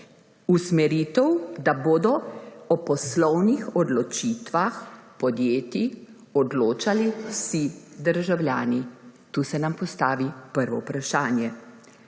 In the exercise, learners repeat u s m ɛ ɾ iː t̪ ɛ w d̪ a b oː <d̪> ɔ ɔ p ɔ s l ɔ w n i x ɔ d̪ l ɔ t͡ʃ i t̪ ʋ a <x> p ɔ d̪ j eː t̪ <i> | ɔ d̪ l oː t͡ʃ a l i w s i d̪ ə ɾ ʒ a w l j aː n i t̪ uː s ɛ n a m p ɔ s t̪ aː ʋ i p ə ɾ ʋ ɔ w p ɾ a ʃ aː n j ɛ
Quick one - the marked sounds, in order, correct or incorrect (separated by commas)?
correct, correct, correct